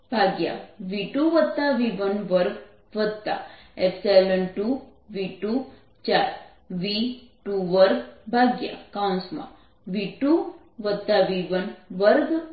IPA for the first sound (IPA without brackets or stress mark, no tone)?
bʱ